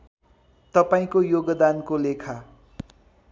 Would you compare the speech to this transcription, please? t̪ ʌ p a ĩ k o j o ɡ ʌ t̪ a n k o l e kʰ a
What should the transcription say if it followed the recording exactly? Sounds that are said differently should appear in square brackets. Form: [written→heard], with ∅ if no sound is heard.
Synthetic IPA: t̪ ʌ p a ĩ k o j o ɡ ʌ [t̪→d̪] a n k o l e kʰ a